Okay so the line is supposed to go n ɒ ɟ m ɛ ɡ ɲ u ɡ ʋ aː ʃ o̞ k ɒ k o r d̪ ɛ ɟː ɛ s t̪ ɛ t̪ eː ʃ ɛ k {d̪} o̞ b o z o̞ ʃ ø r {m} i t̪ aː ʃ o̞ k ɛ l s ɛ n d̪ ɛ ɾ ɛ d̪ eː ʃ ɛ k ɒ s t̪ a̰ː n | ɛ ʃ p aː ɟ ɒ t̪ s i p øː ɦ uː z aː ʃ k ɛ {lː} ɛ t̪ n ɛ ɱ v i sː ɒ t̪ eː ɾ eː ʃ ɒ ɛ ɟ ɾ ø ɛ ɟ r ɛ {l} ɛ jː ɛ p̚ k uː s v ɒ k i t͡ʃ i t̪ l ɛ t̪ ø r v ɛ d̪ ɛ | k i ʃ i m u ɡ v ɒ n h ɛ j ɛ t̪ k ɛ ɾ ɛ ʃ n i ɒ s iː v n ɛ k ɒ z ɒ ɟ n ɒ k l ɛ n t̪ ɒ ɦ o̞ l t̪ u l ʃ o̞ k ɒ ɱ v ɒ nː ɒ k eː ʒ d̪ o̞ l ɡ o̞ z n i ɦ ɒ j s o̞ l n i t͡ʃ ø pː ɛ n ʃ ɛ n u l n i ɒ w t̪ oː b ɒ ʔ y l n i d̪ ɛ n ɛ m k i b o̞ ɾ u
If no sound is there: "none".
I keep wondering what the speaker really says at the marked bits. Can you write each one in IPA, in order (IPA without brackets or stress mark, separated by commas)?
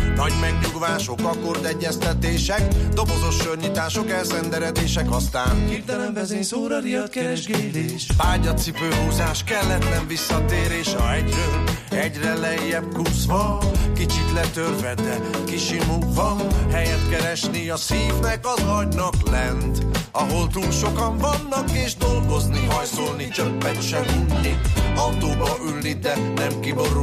d̪, ɲ, lː, l